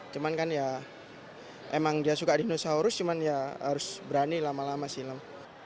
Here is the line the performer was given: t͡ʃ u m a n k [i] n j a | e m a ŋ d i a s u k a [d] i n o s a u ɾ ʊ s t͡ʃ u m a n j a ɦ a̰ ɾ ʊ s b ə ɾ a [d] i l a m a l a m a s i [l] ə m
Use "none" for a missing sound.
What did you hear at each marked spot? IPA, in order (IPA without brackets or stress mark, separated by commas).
a, d, n, l